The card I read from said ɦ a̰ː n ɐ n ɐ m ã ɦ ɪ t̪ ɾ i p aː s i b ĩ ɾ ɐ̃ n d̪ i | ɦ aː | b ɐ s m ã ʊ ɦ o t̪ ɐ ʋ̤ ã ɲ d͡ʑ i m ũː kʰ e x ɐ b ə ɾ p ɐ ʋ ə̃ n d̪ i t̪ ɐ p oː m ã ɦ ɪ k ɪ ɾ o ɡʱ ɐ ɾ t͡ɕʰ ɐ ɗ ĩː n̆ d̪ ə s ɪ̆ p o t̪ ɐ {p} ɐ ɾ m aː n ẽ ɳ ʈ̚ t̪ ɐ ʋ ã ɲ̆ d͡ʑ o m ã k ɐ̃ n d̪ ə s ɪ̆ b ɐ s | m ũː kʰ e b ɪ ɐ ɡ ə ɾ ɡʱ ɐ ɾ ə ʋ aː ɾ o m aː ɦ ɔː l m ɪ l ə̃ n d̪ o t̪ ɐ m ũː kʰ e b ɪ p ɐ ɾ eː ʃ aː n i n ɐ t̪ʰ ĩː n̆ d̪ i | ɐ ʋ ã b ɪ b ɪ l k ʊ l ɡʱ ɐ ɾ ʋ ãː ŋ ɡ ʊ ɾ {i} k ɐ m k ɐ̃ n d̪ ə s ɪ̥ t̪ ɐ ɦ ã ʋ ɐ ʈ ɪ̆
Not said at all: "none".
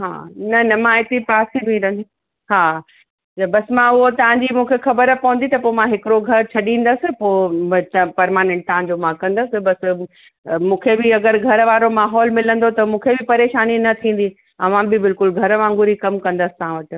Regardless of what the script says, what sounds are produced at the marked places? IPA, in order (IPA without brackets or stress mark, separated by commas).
p, i